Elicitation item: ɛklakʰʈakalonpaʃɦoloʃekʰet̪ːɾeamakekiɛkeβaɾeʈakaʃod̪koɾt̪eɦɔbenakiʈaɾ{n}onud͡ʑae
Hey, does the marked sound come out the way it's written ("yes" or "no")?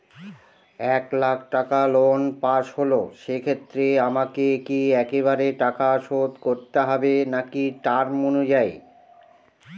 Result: no